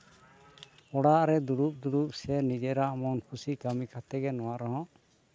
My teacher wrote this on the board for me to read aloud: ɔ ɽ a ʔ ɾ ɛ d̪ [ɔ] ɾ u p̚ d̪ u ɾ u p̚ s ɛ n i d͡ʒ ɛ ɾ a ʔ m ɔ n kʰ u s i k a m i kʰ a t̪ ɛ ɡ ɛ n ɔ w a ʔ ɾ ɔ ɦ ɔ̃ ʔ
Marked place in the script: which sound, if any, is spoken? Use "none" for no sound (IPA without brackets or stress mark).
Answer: u